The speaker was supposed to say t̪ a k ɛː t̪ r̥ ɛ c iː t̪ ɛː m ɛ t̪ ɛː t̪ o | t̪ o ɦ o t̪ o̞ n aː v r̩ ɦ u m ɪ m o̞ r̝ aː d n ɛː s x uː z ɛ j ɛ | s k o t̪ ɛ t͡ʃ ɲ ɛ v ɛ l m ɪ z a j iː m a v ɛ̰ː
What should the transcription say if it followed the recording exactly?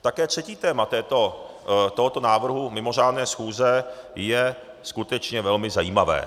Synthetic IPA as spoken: t̪ a k ɛː t̪ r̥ ɛ c iː t̪ ɛː m a t̪ ɛː t̪ o | t̪ o ɦ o t̪ o̞ n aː v r̩ ɦ u m ɪ m o̞ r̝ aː d n ɛː s x uː z ɛ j ɛ | s k u t̪ ɛ t͡ʃ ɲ ɛ v ɛ l m ɪ z a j iː m a v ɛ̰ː